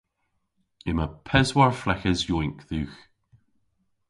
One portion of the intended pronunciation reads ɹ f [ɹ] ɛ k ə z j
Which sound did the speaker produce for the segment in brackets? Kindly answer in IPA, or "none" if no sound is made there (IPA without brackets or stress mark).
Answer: l